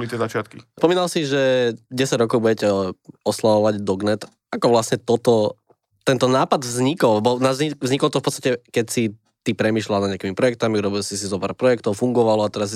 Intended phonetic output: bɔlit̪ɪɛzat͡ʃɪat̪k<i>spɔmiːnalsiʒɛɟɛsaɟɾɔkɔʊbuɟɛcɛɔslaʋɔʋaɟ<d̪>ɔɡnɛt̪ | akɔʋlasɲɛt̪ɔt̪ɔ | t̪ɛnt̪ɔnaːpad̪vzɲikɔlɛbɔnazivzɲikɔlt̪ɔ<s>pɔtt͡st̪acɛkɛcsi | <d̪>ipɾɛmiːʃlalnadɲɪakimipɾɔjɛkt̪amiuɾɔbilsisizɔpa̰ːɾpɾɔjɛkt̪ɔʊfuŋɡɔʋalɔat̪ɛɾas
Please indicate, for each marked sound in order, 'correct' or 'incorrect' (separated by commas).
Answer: correct, correct, incorrect, incorrect